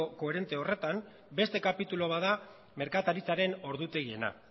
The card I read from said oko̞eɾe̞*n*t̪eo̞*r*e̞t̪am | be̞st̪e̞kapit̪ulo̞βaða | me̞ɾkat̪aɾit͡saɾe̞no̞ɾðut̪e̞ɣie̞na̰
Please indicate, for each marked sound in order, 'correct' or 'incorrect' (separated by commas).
correct, correct